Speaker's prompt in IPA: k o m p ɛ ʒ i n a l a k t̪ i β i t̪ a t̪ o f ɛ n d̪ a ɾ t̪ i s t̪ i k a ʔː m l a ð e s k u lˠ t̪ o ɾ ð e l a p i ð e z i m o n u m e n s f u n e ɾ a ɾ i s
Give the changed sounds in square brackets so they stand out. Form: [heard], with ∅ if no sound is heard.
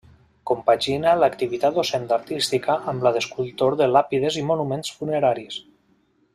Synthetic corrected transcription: k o m p [a] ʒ i n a l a k t̪ i β i t̪ a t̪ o [s] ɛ n d̪ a ɾ t̪ i s t̪ i k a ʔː m l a ð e s k u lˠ t̪ o ɾ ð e l a p i ð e z i m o n u m e n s f u n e ɾ a ɾ i s